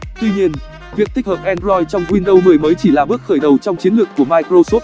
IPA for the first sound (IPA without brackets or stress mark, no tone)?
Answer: t̪